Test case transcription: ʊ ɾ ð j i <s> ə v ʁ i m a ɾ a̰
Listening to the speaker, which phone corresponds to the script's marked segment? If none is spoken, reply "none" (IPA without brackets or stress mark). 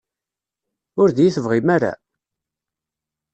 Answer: θ